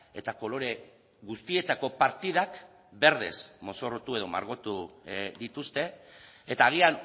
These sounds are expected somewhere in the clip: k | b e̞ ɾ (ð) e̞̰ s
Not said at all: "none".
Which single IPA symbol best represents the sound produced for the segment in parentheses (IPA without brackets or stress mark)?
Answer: ð